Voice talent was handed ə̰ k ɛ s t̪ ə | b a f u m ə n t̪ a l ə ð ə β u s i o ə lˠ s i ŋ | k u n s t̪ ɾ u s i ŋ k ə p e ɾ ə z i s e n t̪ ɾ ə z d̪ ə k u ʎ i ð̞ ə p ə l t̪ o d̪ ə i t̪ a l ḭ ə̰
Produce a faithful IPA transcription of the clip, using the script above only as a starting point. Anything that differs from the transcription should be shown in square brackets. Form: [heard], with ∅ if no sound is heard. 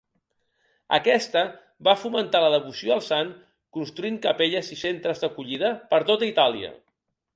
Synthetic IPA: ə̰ k ɛ s t̪ ə | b a f u m ə n t̪ a l ə ð ə β u s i o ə lˠ s [a] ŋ | k u n s t̪ ɾ u [∅] i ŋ k ə p e [ʎ] ə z i s e n t̪ ɾ ə z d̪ ə k u ʎ i ð̞ ə p ə [ɾ] t̪ o [t̪] ə i t̪ a l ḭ ə̰